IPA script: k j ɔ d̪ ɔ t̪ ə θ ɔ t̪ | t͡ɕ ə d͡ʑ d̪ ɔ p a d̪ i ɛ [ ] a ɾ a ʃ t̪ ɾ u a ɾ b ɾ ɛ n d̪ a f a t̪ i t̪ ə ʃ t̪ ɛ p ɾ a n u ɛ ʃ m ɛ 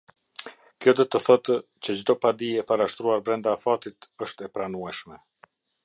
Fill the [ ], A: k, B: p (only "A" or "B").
B